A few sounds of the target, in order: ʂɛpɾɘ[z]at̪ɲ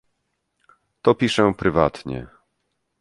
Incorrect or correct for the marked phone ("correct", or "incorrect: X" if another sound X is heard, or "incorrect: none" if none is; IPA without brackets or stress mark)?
incorrect: v